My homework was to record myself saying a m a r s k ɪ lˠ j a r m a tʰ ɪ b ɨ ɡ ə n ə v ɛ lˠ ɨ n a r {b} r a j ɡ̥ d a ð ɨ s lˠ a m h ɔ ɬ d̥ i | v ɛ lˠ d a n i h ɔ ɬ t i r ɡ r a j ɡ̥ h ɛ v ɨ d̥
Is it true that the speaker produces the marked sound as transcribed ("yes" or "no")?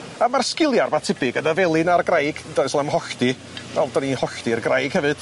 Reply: no